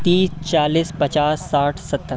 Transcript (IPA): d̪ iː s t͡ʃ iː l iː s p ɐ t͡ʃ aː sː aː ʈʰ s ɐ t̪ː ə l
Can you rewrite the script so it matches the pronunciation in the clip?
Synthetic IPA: t̪ iː s t͡ʃ aː l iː s p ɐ t͡ʃ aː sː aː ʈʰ s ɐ t̪ː ə ɾ